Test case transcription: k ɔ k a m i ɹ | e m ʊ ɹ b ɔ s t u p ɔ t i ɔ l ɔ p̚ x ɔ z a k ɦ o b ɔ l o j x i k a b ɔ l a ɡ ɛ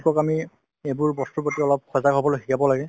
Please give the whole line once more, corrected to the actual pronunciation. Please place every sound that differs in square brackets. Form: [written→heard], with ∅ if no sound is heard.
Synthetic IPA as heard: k ɔ k a m i [ɹ→∅] | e [m→b] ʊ ɹ b ɔ s t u p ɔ t i ɔ l ɔ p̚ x ɔ z a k ɦ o b ɔ l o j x i k a b ɔ l a ɡ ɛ